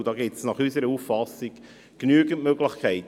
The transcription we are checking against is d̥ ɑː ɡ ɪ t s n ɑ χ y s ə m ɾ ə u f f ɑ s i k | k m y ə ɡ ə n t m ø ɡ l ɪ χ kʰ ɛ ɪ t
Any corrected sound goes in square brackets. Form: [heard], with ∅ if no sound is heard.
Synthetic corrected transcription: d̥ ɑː ɡ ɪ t s n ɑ χ y s ə [∅] ɾ ə u f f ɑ s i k | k [n] y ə ɡ ə n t m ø ɡ l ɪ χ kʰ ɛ ɪ t